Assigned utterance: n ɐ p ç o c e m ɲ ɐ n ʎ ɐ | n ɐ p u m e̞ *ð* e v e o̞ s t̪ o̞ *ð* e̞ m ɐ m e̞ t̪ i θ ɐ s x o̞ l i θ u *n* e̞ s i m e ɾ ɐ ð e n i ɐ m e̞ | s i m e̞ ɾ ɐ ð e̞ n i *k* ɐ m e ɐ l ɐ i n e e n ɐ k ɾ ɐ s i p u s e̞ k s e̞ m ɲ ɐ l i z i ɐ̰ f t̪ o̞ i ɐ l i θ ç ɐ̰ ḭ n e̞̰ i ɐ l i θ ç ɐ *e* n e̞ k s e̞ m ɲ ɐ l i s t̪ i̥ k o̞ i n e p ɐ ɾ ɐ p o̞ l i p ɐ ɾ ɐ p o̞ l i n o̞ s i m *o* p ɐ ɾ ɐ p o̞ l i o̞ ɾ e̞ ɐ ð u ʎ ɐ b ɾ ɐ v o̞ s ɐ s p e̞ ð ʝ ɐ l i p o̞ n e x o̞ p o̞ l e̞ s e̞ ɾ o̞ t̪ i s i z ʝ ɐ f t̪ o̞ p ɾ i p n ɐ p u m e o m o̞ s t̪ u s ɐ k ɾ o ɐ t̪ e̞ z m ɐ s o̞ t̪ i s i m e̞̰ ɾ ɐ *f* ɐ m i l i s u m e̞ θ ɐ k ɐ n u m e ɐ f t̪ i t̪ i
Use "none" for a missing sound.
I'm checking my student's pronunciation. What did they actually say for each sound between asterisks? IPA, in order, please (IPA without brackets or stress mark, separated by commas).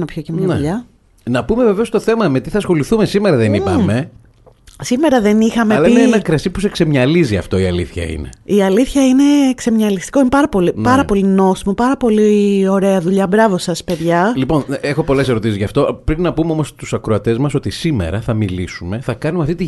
v, θ, m, x, i, o, θ